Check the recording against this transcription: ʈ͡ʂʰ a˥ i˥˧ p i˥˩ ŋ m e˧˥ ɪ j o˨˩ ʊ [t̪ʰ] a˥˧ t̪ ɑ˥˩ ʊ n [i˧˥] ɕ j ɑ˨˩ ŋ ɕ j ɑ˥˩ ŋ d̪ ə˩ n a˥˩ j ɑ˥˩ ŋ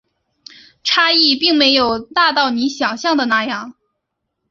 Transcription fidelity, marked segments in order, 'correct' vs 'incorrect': incorrect, correct

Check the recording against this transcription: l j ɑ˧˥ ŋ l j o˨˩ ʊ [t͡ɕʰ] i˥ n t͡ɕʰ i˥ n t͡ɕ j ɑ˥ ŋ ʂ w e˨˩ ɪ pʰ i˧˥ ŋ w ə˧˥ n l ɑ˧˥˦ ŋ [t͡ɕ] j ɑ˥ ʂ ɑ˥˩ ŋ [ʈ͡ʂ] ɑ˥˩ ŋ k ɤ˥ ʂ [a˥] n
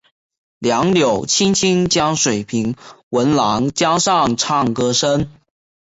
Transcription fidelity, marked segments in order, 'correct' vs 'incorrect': correct, correct, incorrect, incorrect

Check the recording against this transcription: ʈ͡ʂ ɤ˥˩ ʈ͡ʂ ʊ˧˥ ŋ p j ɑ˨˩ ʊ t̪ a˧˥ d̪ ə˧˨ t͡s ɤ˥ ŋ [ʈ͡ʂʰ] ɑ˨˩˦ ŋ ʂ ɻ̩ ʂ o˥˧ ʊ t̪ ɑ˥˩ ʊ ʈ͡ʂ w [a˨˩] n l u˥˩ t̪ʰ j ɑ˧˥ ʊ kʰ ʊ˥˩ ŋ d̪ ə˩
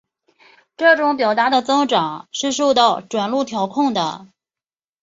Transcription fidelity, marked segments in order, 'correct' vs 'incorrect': incorrect, correct

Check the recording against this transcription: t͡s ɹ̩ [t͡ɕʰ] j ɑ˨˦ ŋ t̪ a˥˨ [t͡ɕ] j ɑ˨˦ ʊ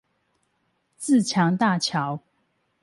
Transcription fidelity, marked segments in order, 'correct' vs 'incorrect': correct, incorrect

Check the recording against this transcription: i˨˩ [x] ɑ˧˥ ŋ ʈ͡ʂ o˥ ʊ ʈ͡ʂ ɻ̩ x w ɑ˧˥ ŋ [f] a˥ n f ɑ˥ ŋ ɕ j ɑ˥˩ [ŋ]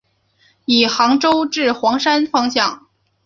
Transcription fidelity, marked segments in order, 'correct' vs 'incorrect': correct, incorrect, correct

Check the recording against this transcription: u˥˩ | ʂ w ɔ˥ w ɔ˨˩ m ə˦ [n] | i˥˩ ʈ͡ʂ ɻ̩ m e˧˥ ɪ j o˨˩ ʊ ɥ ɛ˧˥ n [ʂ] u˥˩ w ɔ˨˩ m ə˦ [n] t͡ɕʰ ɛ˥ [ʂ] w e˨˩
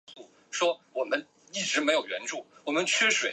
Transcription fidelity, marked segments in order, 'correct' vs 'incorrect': correct, incorrect, correct, correct

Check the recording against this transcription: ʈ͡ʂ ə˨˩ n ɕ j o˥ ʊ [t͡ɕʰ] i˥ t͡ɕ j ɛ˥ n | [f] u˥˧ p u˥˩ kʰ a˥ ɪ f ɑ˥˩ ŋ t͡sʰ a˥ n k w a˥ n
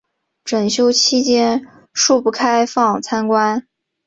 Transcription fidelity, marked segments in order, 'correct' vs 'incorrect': correct, incorrect

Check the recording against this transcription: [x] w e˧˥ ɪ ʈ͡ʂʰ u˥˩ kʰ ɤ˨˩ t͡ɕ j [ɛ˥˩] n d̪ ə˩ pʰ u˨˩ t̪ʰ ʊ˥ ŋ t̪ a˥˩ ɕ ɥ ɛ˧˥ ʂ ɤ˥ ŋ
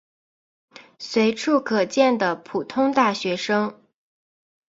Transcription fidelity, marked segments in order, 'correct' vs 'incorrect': incorrect, correct

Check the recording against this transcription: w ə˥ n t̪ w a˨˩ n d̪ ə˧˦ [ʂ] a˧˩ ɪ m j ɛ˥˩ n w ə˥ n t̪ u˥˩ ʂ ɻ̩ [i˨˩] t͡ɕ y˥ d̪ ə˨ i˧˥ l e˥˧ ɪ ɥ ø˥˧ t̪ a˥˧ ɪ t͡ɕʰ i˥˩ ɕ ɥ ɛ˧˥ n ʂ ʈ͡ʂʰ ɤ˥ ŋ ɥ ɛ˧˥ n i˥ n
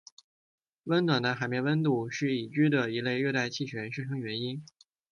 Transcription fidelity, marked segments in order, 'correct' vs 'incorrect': incorrect, correct

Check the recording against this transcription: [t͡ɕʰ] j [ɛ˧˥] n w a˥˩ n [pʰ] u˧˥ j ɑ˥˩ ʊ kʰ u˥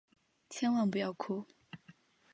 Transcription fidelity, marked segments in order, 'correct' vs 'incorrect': correct, incorrect, incorrect

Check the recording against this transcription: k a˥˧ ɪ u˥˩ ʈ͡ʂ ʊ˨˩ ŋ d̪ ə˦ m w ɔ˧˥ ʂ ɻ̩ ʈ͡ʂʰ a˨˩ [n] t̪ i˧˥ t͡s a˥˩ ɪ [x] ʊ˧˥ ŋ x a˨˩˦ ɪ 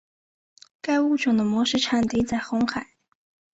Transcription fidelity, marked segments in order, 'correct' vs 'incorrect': correct, correct

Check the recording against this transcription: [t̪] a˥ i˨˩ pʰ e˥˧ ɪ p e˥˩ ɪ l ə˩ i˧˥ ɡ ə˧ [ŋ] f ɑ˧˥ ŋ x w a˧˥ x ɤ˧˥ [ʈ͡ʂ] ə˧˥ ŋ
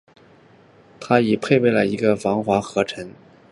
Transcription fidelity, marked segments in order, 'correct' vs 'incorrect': incorrect, incorrect, incorrect

